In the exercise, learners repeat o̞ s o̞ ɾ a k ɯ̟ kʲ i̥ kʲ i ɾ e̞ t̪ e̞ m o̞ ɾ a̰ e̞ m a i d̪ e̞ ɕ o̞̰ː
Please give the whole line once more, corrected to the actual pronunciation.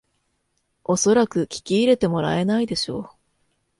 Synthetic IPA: o̞ s o̞ ɾ a k ɯ̟ kʲ i̥ kʲ iː ɾ e̞ t̪ e̞ m o̞ ɾ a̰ e̞ n a i d̪ e̞ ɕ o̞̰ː